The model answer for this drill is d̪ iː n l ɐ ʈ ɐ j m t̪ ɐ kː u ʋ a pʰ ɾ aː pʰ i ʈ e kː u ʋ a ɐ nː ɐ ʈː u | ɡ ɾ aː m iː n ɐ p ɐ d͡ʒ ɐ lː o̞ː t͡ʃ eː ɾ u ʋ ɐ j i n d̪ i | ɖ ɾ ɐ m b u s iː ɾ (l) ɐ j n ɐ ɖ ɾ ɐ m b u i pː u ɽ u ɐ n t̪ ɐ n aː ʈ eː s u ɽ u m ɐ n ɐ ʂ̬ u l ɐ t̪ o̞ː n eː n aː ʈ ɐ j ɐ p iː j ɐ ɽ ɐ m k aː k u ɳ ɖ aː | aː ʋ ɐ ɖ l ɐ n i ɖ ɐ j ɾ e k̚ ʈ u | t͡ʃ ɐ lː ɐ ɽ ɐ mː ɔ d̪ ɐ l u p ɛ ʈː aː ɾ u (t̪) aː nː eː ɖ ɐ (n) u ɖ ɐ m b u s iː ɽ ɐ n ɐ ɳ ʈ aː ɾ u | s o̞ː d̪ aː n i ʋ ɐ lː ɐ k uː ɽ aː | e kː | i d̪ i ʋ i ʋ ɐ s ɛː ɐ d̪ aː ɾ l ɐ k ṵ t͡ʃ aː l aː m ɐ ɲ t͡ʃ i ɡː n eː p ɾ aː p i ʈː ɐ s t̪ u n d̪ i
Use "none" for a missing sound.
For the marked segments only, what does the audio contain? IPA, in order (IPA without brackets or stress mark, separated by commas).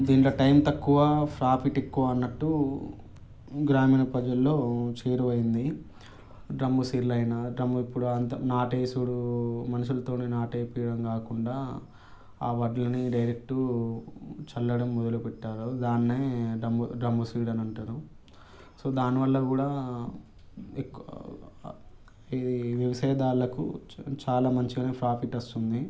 l, d̪, m